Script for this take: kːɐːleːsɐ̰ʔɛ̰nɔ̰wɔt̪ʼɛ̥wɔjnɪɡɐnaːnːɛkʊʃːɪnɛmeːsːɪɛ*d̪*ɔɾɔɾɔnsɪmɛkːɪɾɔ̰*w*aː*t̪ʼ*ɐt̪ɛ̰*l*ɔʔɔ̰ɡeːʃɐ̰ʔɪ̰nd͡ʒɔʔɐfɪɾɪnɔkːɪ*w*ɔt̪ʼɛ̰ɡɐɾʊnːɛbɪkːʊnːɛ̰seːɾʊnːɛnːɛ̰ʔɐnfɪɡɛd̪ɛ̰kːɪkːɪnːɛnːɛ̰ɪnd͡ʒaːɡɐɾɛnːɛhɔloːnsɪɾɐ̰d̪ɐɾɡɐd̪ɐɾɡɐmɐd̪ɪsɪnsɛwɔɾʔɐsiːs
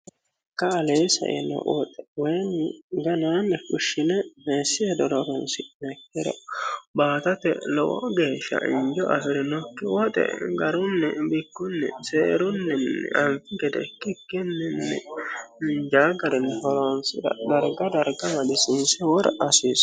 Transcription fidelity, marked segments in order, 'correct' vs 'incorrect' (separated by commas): correct, incorrect, incorrect, correct, correct